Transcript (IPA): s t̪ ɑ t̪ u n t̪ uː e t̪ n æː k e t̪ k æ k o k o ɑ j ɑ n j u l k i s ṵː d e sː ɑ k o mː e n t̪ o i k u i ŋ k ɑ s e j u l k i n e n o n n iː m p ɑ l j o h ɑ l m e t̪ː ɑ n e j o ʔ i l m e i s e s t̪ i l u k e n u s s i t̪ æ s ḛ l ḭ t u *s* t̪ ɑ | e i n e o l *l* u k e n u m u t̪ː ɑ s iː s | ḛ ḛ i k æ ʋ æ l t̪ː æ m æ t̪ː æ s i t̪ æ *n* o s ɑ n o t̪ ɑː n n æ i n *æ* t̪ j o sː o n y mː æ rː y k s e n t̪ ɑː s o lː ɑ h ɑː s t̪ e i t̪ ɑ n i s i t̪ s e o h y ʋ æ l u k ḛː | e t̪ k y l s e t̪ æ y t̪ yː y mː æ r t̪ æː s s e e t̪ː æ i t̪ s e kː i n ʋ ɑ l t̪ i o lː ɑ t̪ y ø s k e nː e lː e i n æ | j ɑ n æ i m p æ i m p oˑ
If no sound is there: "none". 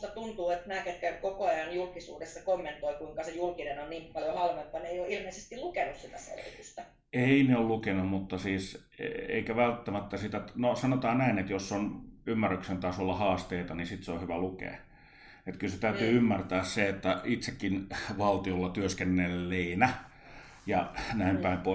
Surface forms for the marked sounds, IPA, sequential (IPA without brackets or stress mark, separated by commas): s, l, n, e